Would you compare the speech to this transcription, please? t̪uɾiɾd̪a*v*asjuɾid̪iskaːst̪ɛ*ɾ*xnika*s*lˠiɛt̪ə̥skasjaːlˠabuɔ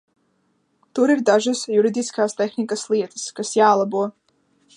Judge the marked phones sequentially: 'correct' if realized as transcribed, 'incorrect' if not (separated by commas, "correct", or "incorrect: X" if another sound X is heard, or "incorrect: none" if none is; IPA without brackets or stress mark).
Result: incorrect: ʒ, incorrect: none, correct